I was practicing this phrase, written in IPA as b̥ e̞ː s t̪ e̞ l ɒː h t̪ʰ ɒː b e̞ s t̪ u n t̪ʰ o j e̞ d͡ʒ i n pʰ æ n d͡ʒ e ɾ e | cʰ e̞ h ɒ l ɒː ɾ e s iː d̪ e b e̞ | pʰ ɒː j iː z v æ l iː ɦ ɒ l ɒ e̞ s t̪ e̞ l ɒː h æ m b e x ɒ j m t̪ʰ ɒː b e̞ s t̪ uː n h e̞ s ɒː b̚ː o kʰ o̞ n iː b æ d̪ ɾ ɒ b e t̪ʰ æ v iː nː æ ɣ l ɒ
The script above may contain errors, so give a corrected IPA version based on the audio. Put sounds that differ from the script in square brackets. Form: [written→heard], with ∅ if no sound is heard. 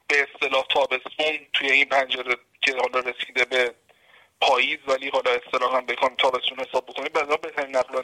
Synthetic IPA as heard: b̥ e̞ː s t̪ e̞ l ɒː h t̪ʰ ɒː b e̞ s t̪ u n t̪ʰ [o→u] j e̞ [d͡ʒ→∅] i n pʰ æ n d͡ʒ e ɾ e | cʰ e̞ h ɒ l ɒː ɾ e s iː d̪ e b e̞ | pʰ ɒː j iː z v æ l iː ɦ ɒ l ɒ e̞ s t̪ e̞ l ɒː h æ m b e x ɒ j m t̪ʰ ɒː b e̞ s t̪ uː n h e̞ s ɒː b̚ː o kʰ o̞ n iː b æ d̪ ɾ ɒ b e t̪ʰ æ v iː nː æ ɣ l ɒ